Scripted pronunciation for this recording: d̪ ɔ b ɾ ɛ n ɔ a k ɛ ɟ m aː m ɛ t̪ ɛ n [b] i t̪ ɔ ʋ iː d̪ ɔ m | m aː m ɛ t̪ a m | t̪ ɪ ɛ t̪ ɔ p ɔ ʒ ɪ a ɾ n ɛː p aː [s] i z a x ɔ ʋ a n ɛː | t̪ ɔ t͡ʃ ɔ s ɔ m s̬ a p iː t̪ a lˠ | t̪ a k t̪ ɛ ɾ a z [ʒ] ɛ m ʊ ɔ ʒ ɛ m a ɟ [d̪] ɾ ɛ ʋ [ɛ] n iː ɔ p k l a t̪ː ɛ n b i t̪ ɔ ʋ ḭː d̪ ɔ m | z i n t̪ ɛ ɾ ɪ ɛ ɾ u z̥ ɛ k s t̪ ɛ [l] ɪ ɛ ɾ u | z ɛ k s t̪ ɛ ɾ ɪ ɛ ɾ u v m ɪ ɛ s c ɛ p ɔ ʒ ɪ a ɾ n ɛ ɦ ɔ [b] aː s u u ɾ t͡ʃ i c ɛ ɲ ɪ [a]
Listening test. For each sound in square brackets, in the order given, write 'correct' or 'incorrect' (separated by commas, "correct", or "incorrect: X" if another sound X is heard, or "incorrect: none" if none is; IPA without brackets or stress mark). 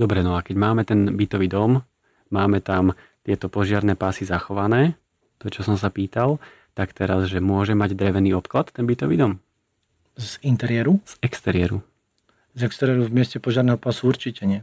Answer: correct, correct, correct, correct, correct, incorrect: ɾ, incorrect: p, incorrect: ɛ